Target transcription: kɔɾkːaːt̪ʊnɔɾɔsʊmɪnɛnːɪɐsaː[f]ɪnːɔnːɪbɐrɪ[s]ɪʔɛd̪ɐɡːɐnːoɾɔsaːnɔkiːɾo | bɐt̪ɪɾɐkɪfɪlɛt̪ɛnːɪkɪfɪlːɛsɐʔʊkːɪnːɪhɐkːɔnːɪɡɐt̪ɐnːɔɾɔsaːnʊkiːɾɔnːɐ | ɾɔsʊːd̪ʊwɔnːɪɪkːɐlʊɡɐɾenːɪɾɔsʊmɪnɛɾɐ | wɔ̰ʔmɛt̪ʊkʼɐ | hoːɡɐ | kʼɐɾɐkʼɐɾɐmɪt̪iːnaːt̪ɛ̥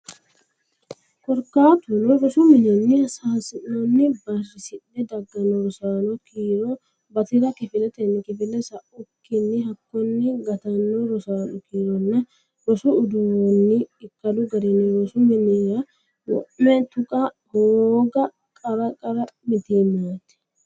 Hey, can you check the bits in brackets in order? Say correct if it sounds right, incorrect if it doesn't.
incorrect: s, correct

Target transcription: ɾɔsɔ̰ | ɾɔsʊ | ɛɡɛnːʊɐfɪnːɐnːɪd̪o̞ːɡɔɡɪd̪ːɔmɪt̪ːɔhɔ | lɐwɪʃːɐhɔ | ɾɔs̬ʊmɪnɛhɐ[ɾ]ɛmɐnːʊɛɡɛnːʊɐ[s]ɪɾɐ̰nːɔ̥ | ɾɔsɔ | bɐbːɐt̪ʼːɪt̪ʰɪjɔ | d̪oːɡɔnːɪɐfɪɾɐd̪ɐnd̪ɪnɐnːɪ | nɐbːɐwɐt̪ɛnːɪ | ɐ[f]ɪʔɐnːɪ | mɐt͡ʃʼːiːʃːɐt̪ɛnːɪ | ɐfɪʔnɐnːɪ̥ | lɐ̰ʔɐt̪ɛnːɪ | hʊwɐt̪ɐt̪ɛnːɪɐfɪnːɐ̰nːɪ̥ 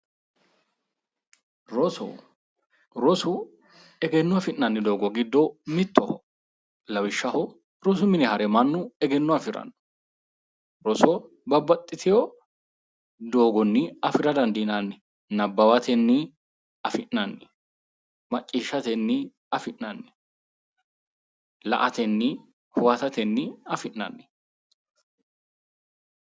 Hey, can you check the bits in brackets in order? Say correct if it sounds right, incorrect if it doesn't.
correct, incorrect: f, correct

